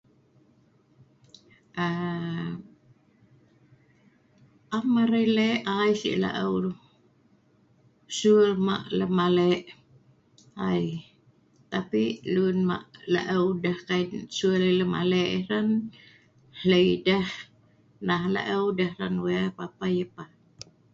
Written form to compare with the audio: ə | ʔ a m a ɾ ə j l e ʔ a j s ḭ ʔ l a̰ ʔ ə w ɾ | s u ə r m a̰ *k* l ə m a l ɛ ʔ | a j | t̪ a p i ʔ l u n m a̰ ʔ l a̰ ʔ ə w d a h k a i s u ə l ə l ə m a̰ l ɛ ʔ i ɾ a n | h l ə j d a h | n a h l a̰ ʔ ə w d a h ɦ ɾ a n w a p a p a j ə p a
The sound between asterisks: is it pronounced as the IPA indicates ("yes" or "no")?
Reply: no